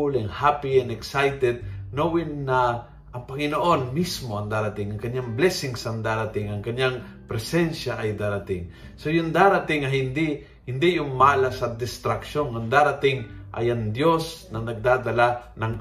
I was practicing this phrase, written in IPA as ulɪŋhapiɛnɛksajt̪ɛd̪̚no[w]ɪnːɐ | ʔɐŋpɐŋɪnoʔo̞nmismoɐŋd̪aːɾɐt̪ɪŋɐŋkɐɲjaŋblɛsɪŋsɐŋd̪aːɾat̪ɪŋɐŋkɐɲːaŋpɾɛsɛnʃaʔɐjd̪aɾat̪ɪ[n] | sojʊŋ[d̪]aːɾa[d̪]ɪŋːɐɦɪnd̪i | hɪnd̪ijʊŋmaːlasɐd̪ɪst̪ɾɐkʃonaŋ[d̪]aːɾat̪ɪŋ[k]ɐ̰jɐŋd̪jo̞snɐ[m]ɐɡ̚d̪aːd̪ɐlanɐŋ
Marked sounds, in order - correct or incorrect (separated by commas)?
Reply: correct, incorrect, correct, incorrect, correct, incorrect, incorrect